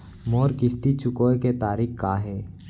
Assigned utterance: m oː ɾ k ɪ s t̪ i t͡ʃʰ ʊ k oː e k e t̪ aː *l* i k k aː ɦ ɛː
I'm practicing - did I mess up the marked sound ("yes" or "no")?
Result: yes